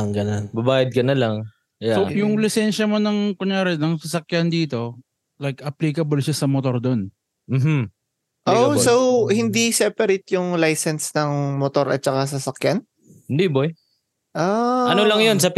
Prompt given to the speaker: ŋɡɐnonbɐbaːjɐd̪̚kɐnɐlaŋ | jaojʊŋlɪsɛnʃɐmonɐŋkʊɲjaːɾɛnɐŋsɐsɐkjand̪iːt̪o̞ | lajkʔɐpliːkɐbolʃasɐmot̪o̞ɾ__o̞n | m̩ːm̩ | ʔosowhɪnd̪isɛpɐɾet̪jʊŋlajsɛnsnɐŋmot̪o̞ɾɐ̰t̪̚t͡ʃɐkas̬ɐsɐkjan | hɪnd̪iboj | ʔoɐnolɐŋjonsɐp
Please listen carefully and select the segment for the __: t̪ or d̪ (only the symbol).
d̪